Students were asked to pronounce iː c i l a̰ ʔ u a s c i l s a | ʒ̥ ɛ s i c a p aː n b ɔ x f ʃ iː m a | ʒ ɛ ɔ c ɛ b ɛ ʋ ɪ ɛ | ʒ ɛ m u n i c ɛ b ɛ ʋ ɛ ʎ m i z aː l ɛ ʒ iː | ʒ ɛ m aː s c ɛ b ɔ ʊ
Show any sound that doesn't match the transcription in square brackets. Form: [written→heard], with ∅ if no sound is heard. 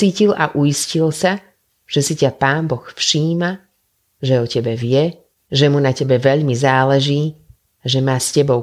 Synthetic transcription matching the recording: iː c i l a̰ ʔ u [a→i] s c i l s a | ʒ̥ ɛ s i c a p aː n b ɔ x f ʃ iː m a | ʒ ɛ ɔ c ɛ b ɛ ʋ ɪ ɛ | ʒ ɛ m u n [i→a] c ɛ b ɛ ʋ ɛ ʎ m i z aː l ɛ ʒ iː | ʒ ɛ m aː s c ɛ b ɔ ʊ